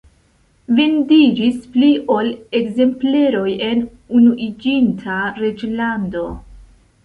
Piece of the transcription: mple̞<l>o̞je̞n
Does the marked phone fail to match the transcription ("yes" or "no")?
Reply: yes